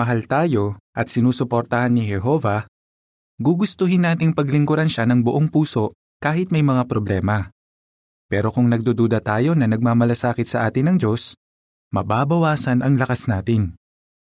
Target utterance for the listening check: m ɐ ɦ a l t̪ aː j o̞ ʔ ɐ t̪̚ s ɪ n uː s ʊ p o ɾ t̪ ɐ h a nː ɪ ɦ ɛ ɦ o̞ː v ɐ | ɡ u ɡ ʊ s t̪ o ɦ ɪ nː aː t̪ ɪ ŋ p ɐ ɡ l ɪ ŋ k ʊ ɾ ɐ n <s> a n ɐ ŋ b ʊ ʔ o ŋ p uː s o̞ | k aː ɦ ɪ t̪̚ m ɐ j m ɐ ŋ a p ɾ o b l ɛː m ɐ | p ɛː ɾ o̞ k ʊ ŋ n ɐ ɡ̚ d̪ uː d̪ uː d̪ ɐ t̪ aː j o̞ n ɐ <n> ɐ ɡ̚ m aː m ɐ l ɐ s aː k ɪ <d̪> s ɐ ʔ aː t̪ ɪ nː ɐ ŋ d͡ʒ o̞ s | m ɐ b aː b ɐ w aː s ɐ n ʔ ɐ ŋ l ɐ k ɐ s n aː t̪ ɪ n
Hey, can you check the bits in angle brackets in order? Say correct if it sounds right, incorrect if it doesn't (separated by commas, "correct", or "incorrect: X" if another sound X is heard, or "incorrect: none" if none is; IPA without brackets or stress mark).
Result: incorrect: ʃ, correct, incorrect: t̪